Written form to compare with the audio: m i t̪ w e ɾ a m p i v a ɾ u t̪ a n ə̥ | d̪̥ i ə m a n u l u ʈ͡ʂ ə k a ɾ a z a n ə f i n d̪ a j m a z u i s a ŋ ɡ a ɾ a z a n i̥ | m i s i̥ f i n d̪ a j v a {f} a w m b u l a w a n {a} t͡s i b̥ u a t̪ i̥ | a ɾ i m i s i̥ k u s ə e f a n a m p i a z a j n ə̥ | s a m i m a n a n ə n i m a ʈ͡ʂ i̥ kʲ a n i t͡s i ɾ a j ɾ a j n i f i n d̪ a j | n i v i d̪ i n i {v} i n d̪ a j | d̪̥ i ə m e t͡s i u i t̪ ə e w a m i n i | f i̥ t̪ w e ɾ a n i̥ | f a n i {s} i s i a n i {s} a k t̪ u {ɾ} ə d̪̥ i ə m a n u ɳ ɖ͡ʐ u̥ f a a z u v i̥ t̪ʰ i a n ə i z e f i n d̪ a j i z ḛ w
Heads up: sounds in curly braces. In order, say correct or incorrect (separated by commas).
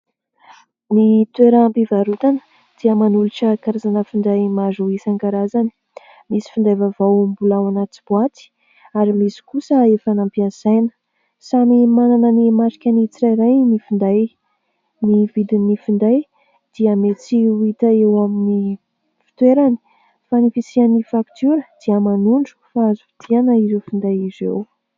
incorrect, correct, incorrect, incorrect, incorrect, correct